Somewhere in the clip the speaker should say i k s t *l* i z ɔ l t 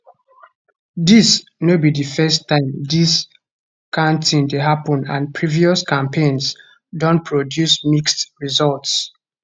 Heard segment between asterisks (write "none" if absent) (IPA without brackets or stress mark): ɹ